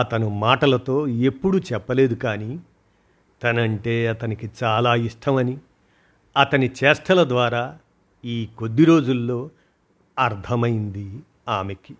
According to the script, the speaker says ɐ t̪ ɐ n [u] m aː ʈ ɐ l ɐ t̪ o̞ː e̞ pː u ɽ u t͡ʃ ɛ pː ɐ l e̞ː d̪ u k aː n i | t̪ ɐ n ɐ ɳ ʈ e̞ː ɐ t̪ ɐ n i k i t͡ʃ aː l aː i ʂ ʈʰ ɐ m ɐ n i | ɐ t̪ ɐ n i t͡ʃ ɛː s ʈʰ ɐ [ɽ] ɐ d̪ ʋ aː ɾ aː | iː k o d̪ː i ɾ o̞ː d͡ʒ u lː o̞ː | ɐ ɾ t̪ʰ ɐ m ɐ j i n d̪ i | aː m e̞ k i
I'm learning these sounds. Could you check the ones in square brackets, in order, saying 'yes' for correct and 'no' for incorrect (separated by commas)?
yes, no